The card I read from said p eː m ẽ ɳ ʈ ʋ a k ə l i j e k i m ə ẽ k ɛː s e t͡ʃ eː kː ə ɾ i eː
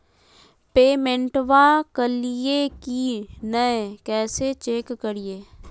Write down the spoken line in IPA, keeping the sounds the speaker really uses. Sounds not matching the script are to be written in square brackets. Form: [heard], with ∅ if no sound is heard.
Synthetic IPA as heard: p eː m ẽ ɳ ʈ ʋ a k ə l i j e k i [n] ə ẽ k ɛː s e t͡ʃ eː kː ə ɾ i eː